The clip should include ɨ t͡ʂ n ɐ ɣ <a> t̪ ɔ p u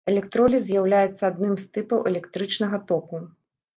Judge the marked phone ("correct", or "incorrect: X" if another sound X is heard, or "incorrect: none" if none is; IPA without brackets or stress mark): incorrect: ɐ